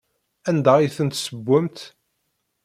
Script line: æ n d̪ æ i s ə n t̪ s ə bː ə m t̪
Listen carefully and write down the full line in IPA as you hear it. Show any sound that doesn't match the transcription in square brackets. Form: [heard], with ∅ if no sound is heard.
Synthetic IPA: æ n d̪ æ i [θ] ə n t̪ s ə bː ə m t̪